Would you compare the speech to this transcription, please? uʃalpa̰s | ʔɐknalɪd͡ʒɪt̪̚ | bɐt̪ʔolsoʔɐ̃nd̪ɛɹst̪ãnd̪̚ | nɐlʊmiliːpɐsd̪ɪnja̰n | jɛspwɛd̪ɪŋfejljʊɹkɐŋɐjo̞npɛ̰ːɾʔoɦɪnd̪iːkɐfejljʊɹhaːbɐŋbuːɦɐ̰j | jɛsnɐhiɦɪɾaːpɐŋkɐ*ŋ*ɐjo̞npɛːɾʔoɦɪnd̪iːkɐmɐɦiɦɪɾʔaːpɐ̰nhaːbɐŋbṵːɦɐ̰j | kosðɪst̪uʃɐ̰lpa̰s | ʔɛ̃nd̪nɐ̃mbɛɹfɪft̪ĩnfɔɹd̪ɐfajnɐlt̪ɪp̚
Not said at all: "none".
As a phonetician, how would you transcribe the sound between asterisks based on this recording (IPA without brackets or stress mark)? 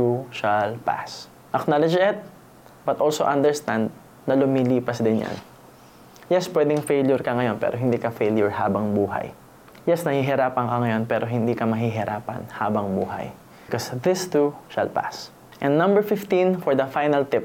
ŋ